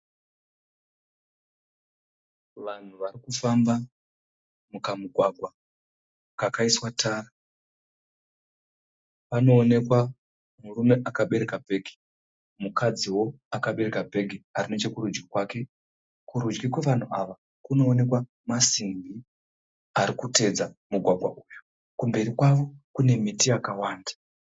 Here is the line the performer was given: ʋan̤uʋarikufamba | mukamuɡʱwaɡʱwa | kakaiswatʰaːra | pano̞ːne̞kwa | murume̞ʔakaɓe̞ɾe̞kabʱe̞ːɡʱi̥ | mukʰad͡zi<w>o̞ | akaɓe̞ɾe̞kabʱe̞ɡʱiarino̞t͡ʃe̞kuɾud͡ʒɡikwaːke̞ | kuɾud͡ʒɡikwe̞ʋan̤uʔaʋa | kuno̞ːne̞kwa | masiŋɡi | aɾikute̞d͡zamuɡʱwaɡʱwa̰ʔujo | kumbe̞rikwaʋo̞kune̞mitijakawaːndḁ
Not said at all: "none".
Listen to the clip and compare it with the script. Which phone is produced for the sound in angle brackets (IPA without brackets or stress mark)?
w